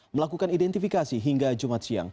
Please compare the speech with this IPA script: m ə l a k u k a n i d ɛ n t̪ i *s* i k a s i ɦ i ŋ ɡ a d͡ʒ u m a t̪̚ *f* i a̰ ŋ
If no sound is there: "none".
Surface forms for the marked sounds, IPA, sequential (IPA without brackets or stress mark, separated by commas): f, s